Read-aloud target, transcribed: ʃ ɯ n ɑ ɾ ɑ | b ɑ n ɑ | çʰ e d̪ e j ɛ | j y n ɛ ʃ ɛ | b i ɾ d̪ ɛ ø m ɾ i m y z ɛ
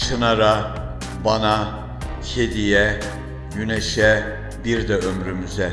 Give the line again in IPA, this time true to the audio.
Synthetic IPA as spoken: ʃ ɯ n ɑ ɾ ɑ | b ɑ n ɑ | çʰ e d̪ i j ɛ | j y n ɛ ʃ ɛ | b i ɾ d̪ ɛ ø m ɾ y m y z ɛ